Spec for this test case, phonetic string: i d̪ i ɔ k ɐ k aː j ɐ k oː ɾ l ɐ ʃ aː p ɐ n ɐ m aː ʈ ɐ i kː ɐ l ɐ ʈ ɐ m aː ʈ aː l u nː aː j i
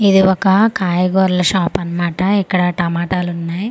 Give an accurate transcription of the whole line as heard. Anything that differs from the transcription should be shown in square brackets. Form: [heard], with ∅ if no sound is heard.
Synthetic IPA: i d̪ i ɔ k ɐ k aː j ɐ [ɡ] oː ɾ l ɐ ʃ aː p ɐ n ɐ m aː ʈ ɐ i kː ɐ [ɽ] ɐ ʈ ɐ m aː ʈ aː l u nː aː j i